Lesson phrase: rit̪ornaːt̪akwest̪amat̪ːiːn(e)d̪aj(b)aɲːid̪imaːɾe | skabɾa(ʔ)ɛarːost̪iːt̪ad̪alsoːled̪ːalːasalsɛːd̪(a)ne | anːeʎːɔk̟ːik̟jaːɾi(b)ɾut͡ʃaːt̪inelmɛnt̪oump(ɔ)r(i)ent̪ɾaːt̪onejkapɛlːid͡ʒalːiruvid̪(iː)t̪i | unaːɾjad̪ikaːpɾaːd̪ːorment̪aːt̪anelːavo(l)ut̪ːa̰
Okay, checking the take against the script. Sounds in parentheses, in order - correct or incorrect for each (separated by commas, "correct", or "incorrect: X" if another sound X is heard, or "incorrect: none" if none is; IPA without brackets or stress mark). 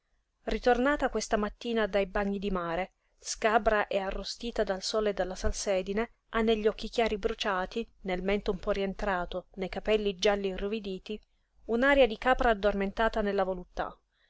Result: incorrect: a, correct, correct, incorrect: i, correct, correct, correct, correct, correct